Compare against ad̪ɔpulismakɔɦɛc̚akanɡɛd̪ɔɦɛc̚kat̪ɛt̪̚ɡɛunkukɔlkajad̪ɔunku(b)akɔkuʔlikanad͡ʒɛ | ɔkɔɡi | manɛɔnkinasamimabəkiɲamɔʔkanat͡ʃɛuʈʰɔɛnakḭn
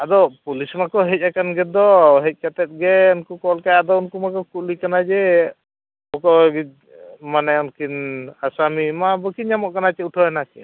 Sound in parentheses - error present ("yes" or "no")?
yes